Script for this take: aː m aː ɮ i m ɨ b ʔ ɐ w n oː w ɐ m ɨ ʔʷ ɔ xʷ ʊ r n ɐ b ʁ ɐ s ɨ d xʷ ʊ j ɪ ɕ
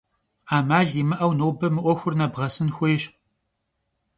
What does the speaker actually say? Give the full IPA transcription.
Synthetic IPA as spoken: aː m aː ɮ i m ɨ ʔ ɐ w n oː b ɐ m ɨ ʔʷ ɔ xʷ ʊ r n ɐ b ʁ ɐ s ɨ n xʷ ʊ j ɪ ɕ